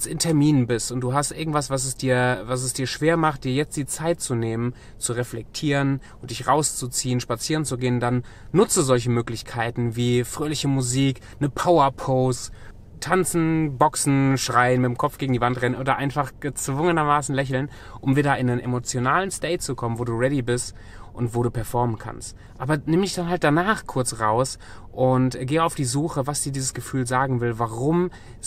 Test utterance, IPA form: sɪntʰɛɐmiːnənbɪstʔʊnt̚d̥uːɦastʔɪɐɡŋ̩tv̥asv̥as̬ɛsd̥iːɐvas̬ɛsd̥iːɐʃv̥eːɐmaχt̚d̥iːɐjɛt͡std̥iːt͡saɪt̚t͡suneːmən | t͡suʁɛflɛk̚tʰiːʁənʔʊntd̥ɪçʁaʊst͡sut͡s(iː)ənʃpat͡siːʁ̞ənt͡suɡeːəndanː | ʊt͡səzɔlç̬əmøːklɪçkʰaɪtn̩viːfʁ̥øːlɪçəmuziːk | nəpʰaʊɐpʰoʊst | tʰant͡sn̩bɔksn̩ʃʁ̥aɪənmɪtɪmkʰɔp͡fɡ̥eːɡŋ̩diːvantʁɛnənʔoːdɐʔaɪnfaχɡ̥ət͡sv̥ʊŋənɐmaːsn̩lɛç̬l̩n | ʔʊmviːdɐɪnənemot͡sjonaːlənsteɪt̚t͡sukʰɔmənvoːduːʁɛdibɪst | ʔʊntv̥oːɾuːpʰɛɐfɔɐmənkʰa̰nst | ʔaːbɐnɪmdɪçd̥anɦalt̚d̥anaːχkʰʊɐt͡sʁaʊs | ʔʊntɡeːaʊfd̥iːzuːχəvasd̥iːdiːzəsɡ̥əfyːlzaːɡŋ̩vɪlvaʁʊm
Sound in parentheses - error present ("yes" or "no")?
no